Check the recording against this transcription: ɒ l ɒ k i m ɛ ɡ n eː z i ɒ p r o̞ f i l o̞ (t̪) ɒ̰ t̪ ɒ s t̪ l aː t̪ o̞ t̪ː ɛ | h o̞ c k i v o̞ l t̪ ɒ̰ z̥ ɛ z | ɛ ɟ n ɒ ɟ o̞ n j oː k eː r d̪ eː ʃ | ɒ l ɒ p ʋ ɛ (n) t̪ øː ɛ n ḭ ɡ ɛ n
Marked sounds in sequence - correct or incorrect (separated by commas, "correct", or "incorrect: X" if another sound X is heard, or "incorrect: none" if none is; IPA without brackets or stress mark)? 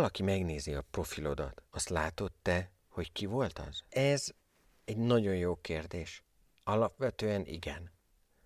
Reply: incorrect: d̪, incorrect: none